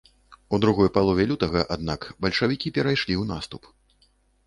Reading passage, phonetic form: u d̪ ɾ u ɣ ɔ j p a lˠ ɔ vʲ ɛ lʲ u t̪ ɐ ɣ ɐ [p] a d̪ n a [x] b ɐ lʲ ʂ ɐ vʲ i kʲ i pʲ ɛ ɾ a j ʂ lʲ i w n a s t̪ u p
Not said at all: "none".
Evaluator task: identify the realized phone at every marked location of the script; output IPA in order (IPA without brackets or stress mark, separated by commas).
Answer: ʔ, k